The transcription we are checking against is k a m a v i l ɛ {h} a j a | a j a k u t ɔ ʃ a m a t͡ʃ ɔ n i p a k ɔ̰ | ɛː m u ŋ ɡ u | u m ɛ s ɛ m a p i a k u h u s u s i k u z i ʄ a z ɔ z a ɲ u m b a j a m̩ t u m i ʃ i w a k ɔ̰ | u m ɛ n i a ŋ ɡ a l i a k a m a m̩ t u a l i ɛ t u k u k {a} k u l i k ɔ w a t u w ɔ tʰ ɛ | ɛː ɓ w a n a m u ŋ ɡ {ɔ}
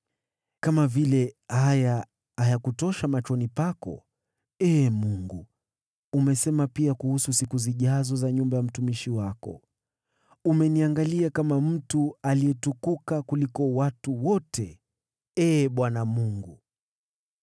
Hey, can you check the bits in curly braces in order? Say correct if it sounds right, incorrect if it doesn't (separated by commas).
correct, correct, incorrect